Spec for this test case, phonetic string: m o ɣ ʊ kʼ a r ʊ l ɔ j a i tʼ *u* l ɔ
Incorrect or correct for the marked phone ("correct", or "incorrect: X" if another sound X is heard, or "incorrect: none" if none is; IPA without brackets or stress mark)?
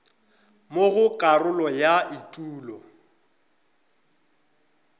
incorrect: uː